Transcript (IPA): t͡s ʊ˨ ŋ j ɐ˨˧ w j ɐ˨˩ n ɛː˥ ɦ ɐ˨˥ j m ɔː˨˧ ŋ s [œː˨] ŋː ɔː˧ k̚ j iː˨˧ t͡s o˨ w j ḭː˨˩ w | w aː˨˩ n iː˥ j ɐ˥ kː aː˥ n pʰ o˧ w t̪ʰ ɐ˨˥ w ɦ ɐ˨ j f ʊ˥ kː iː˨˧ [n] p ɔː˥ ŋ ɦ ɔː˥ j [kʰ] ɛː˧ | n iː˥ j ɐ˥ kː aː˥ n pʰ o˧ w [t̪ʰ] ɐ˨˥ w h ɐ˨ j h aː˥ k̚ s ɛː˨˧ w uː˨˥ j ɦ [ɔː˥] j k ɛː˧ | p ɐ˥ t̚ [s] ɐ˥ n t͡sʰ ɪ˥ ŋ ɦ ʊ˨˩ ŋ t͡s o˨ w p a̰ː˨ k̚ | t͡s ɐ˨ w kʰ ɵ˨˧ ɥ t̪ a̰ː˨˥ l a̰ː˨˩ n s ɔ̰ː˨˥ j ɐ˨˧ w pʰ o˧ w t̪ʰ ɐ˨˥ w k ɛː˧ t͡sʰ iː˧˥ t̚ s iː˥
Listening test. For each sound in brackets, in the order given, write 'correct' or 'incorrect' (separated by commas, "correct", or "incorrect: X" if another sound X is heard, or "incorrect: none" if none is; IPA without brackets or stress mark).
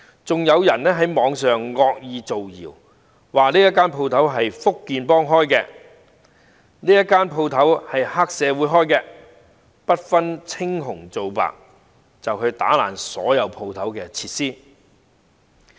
correct, correct, incorrect: k, correct, correct, incorrect: f